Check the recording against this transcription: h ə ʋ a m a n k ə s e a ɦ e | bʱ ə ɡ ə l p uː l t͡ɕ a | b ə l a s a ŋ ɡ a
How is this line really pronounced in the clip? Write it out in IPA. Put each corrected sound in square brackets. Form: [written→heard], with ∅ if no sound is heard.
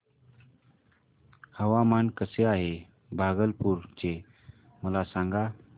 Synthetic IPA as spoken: h ə ʋ a m a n k ə s e a ɦ e | bʱ [ə→a] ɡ ə l p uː [l→ɾ] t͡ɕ [a→e] | [b→m] ə l a s a ŋ ɡ a